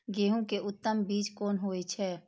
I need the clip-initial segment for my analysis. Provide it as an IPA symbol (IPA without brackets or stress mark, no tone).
ɡ